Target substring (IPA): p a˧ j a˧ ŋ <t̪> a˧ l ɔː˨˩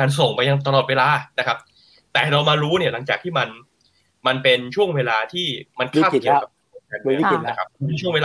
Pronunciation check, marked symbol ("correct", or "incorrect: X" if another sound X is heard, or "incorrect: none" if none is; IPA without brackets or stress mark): correct